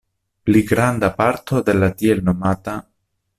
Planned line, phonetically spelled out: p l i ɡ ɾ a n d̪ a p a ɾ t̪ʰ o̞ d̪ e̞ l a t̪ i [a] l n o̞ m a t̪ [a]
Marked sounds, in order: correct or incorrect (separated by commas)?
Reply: incorrect, correct